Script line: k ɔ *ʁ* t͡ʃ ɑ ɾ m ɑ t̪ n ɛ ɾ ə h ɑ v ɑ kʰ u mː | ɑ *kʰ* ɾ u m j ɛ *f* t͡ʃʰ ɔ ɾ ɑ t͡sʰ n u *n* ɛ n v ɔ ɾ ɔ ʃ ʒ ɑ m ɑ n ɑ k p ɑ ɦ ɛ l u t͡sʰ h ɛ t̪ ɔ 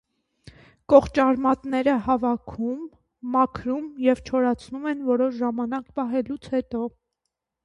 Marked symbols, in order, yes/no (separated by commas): no, yes, no, no